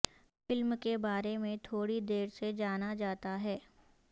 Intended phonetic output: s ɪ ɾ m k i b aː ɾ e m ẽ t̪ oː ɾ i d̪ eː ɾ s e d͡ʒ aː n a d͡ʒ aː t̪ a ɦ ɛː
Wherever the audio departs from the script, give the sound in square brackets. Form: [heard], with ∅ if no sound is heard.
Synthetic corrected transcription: [f] ɪ [l] m k [e] b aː ɾ e m ẽ [t̪ʰ] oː [ɽ] i d̪ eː ɾ s e d͡ʒ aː n a d͡ʒ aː t̪ a ɦ ɛː